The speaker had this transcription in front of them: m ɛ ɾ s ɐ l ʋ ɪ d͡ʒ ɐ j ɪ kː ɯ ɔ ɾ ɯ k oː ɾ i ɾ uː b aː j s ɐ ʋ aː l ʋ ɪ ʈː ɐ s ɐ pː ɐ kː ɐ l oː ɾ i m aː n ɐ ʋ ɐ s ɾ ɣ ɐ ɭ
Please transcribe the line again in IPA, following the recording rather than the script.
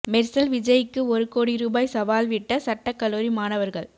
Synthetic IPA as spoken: m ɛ ɾ s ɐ l ʋ ɪ d͡ʒ ɐ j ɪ kː ɯ ɔ ɾ ɯ k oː ɽ i ɾ uː b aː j s ɐ ʋ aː l ʋ ɪ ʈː ɐ s ɐ ʈː ɐ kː ɐ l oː ɾ i m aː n ɐ ʋ ɐ ɾ ɣ ɐ ɭ

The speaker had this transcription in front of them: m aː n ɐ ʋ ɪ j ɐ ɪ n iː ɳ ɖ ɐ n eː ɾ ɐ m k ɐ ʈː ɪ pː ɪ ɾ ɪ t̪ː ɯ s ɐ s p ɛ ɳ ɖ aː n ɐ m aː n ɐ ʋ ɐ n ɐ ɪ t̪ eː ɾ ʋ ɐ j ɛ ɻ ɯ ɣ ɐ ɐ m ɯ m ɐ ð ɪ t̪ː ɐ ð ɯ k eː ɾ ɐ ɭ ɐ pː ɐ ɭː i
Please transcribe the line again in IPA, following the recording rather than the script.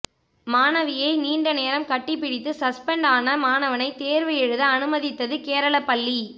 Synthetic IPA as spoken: m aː n ɐ ʋ ɪ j ɐ ɪ n iː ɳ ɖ ɐ n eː ɾ ɐ m k ɐ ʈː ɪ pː ɪ ɽ ɪ t̪ː ɯ s ɐ s p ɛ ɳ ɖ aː n ɐ m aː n ɐ ʋ ɐ n ɐ ɪ t̪ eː ɾ ʋ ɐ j ɛ ɻ ɯ ð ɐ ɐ n ɯ m ɐ ð ɪ t̪ː ɐ ð ɯ k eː ɾ ɐ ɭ ɐ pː ɐ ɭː i

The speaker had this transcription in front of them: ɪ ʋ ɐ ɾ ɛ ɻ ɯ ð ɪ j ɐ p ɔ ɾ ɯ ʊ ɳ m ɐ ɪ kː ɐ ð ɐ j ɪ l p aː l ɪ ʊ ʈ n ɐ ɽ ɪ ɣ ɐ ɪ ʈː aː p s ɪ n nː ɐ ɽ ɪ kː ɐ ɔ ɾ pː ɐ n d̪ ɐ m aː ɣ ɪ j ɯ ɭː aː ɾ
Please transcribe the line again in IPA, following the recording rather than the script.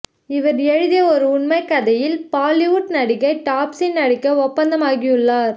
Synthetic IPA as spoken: ɪ ʋ ɐ ɾ ɛ ɻ ɯ ð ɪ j ɐ ɔ ɾ ɯ ʊ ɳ m ɐ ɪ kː ɐ ð ɐ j ɪ l p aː l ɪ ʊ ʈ n ɐ ɽ ɪ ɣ ɐ ɪ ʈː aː p s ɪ n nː ɐ ɽ ɪ kː ɐ ɔ pː ɐ n d̪ ɐ m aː ɣ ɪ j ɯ ɭː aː ɾ

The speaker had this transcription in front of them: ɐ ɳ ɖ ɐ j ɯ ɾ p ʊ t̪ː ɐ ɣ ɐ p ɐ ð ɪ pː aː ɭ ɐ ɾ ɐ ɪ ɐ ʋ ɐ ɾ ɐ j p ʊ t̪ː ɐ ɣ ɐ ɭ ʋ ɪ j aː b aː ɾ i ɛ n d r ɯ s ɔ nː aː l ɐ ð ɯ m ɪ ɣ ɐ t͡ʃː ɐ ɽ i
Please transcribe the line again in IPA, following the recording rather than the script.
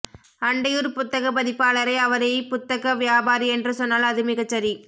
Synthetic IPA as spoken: ɐ ɳ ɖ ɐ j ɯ ɾ p ʊ t̪ː ɐ ɣ ɐ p ɐ ð ɪ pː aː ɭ ɐ ɾ ɐ ɪ ɐ ʋ ɐ ɾ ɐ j p ʊ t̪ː ɐ ɣ ɐ ʋ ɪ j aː b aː ɾ i ɛ n d r ɯ s ɔ nː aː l ɐ ð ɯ m ɪ ɣ ɐ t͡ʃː ɐ ɾ i

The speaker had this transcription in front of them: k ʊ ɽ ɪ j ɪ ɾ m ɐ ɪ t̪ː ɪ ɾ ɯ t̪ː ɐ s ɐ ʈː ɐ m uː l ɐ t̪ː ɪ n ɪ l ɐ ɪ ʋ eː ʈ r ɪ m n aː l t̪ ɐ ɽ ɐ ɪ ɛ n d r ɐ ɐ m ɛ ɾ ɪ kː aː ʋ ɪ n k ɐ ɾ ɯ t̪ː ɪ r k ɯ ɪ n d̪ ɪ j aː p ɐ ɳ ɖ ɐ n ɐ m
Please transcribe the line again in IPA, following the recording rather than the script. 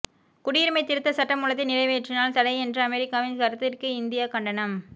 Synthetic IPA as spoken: k ʊ ɽ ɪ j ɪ ɾ m ɐ ɪ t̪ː ɪ ɾ ɯ t̪ː ɐ s ɐ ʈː ɐ m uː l ɐ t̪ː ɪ n ɪ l ɐ ɪ ʋ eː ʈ r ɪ n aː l t̪ ɐ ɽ ɐ ɪ ɛ n d r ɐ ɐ m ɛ ɾ ɪ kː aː ʋ ɪ n k ɐ ɾ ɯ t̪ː ɪ r k ɯ ɪ n d̪ ɪ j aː k ɐ ɳ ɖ ɐ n ɐ m

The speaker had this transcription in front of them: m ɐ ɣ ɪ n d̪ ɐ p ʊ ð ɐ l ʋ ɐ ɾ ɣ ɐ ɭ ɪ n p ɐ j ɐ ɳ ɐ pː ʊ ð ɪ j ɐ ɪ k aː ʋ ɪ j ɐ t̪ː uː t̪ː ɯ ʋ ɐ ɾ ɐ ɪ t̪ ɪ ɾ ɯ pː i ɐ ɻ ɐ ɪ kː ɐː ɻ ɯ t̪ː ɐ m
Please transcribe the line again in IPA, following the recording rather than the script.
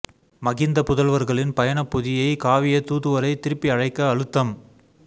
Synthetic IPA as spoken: m ɐ ɣ ɪ n d̪ ɐ p ʊ ð ɐ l ʋ ɐ ɾ ɣ ɐ ɭ ɪ n p ɐ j ɐ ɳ ɐ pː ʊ ð ɪ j ɐ ɪ k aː ʋ ɪ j ɐ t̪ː uː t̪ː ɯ ʋ ɐ ɾ ɐ ɪ t̪ ɪ ɾ ɯ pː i ɐ ɻ ɐ ɪ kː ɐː ɻ ɯ t̪ː ɐ m

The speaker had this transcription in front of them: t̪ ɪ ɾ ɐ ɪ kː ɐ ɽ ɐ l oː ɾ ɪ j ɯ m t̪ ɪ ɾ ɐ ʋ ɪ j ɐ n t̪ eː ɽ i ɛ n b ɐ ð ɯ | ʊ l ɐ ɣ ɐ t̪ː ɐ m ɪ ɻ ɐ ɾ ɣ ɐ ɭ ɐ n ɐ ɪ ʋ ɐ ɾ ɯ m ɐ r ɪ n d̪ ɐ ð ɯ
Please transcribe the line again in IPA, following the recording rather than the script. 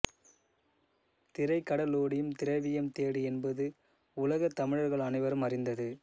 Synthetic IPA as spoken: t̪ ɪ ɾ ɐ ɪ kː ɐ ɽ ɐ l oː ɽ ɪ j ɯ m t̪ ɪ ɾ ɐ ʋ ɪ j ɐ m t̪ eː ɽ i ɛ n b ɐ ð ɯ | ʊ l ɐ ɣ ɐ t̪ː ɐ m ɪ ɻ ɐ ɾ ɣ ɐ ɭ ɐ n ɐ ɪ ʋ ɐ ɾ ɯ m ɐ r ɪ n d̪ ɐ ð ɯ

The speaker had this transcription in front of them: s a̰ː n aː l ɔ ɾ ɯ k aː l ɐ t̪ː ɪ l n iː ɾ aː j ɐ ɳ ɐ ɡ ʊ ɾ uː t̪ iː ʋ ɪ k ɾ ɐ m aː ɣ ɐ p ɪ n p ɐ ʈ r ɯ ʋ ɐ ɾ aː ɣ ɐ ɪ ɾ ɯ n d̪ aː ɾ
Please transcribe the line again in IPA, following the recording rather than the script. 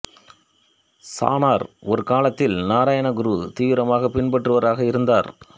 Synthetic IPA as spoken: s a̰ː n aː ɾ ɔ ɾ ɯ k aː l ɐ t̪ː ɪ l n aː ɾ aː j ɐ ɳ ɐ ɡ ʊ ɾ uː t̪ iː ʋ ɪ ɾ ɐ m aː ɣ ɐ p ɪ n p ɐ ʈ r ɯ ʋ ɐ ɾ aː ɣ ɐ ɪ ɾ ɯ n d̪ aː ɾ

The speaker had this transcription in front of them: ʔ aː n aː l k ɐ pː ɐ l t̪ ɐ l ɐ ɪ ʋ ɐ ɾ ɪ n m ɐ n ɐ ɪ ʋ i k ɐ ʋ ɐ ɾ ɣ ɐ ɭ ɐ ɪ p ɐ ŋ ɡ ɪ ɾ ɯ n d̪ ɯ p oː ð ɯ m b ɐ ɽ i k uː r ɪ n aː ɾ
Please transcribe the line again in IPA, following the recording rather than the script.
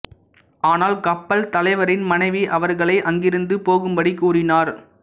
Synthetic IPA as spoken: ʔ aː n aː l k ɐ pː ɐ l t̪ ɐ l ɐ ɪ ʋ ɐ ɾ ɪ n m ɐ n ɐ ɪ ʋ i ʔ ɐ ʋ ɐ ɾ ɣ ɐ ɭ ɐ ɪ ʔ ɐ ŋ ɡ ɪ ɾ ɯ n d̪ ɯ p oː ɣ ɯ m b ɐ ɽ i k uː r ɪ n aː ɾ

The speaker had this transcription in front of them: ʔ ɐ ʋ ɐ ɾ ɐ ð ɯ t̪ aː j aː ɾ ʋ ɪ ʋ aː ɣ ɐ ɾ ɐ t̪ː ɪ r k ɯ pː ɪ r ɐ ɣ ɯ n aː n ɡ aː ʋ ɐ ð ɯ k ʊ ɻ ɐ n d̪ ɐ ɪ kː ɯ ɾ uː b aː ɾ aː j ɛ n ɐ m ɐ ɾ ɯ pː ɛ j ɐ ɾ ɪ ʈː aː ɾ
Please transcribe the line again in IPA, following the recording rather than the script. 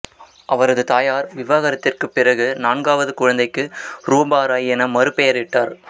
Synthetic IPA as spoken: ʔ ɐ ʋ ɐ ɾ ɐ ð ɯ t̪ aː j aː ɾ ʋ ɪ ʋ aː ɣ ɐ ɾ ɐ t̪ː ɪ r k ɯ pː ɪ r ɐ ɣ ɯ n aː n ɡ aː ʋ ɐ ð ɯ k ʊ ɻ ɐ n d̪ ɐ ɪ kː ɯ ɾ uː b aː ɾ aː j ɛ n ɐ m ɐ ɾ ɯ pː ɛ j ɐ ɾ ɪ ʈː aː ɾ

